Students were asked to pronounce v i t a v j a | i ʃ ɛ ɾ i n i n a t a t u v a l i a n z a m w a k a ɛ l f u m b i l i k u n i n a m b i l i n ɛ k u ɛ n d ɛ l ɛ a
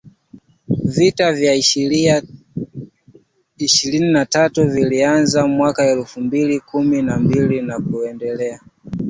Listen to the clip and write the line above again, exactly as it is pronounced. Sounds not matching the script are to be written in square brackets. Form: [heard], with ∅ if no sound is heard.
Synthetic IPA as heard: v i t a v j a | i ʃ [i] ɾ i n i n a t a t u v [i] l i a n z a m w a k a ɛ l f u m b i l i k u [m] i n a m b i l i n [a] k u ɛ n d ɛ l ɛ a